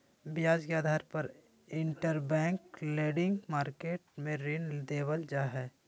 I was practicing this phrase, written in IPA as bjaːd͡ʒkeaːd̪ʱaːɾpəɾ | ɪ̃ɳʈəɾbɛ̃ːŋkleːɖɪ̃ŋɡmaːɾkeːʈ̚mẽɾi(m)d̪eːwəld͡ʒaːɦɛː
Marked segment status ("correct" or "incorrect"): incorrect